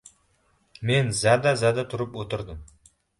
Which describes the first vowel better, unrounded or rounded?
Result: unrounded